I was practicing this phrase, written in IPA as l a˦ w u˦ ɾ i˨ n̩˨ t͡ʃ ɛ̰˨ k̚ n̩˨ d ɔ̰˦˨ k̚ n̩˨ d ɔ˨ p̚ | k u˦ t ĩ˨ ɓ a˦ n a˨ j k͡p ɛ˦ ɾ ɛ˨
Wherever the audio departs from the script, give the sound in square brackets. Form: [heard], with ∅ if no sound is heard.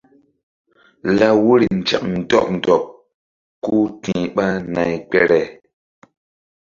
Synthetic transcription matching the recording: l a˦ w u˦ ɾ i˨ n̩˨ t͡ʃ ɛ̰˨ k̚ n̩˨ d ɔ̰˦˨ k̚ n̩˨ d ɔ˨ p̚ | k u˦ t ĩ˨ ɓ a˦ n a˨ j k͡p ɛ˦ ɾ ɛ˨